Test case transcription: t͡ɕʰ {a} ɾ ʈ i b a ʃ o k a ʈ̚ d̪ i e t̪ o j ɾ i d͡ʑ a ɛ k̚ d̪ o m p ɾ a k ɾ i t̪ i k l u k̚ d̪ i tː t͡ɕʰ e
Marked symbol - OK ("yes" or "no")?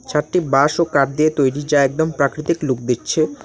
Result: yes